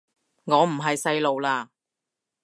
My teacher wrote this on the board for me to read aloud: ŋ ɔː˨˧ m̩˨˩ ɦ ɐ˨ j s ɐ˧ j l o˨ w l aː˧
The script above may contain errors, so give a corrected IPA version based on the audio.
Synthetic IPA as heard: ŋ ɔː˨˧ m̩˨˩ ɦ ɐ˨ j s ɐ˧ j l o˨ w l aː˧